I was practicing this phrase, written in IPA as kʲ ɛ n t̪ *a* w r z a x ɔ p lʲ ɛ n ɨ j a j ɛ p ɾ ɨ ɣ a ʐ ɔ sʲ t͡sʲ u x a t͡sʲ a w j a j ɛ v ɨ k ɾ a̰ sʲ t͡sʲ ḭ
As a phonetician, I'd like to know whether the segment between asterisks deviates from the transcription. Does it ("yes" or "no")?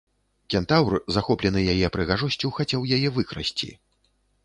no